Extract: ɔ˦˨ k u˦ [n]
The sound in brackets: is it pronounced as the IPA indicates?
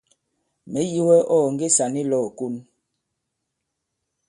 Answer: yes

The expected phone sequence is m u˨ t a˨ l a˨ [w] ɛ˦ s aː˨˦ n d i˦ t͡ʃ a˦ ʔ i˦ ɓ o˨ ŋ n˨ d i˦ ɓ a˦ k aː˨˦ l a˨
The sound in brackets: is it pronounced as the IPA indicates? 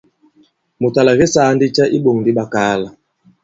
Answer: no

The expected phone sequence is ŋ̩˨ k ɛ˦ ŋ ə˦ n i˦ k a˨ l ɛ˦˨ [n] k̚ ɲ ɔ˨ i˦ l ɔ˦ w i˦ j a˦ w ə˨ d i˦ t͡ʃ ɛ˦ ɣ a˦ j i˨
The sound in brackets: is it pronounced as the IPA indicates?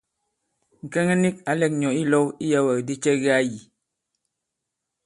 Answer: no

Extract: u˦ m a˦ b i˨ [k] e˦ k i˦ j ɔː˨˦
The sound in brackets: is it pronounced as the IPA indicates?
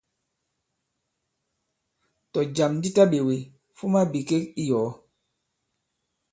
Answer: yes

